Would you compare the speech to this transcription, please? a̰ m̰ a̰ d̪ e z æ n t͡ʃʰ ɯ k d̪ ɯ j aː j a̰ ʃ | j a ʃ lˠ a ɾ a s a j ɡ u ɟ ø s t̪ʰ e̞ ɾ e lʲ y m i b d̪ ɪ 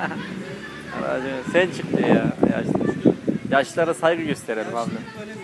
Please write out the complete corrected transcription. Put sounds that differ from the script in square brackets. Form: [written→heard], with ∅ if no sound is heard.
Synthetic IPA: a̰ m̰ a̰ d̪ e [z→s] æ n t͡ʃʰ ɯ k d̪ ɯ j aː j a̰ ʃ | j a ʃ lˠ a ɾ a s a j ɡ [u→ɯ] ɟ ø s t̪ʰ e̞ ɾ e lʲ [y→i] m [i→a] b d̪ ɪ